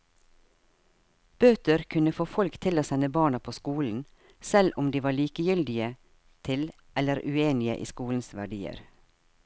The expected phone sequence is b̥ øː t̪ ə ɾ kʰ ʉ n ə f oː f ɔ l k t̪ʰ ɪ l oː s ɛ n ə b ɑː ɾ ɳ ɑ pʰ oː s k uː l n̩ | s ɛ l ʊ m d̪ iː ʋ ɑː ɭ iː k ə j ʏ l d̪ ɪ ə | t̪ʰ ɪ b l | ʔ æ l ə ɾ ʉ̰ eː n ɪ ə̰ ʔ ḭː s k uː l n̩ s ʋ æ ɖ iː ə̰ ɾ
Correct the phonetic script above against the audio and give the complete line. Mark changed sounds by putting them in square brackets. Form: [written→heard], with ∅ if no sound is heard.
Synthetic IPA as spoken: b̥ øː t̪ ə ɾ kʰ ʉ n ə f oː f ɔ l k t̪ʰ ɪ l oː s ɛ n ə b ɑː [ɾ→∅] ɳ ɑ pʰ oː s k uː l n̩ | s ɛ l ʊ m d̪ iː ʋ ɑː ɭ iː k ə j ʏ l d̪ ɪ ə | t̪ʰ ɪ [b→∅] l | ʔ [æ→ɛ] l ə ɾ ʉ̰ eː n ɪ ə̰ ʔ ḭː s k uː l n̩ s ʋ æ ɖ iː ə̰ ɾ

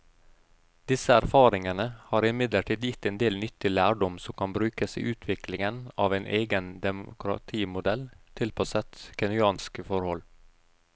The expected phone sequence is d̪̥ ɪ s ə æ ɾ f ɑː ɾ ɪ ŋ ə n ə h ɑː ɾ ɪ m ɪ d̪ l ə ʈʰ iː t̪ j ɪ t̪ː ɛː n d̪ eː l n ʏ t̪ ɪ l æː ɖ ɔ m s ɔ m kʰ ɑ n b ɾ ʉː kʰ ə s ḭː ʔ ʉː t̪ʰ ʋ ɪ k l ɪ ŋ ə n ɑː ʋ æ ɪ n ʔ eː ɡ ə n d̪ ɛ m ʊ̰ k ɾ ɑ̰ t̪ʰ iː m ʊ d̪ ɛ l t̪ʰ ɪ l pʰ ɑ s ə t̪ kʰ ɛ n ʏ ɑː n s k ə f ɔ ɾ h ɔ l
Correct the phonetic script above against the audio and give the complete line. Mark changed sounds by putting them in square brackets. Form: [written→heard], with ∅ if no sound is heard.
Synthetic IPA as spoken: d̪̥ ɪ s ə æ ɾ f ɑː ɾ ɪ ŋ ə n ə h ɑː ɾ ɪ m ɪ d̪ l ə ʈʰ iː [t̪→d̪] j ɪ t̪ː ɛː n d̪ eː l n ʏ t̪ ɪ l æː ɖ ɔ m s ɔ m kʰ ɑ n b ɾ ʉː [kʰ→k] ə s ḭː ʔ ʉː t̪ʰ ʋ ɪ k l ɪ ŋ ə n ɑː ʋ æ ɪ n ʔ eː ɡ ə n d̪ ɛ m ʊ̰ k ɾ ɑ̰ t̪ʰ iː m ʊ d̪ ɛ l t̪ʰ ɪ l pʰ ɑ s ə t̪ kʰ ɛ n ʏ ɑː n s k ə f ɔ ɾ h ɔ l

